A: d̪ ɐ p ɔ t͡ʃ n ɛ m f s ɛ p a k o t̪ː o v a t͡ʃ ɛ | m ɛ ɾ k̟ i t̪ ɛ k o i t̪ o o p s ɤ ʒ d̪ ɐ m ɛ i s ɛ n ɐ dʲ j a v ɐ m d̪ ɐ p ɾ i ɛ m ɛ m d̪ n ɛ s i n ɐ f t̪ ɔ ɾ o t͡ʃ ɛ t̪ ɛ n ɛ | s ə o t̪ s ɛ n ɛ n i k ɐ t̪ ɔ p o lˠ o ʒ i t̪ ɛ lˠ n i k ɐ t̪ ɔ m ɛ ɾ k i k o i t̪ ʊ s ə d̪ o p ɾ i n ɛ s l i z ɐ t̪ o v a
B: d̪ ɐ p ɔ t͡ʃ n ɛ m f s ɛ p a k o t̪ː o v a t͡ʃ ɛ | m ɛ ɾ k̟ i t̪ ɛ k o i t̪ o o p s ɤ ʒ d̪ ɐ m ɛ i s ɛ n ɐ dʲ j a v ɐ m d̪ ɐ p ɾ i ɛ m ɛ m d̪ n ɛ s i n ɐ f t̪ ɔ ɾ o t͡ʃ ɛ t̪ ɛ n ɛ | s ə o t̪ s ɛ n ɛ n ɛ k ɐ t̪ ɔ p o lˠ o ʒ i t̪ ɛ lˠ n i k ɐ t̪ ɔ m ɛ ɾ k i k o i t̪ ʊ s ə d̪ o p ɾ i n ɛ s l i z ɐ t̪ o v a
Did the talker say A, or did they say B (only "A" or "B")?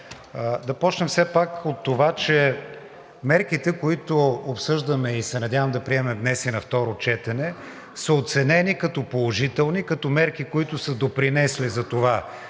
A